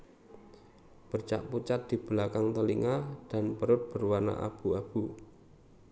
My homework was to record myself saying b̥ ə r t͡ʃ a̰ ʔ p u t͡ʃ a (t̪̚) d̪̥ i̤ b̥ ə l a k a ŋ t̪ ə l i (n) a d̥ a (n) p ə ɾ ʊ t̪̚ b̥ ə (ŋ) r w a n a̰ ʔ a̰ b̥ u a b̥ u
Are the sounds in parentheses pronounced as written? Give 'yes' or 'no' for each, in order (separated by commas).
yes, no, yes, no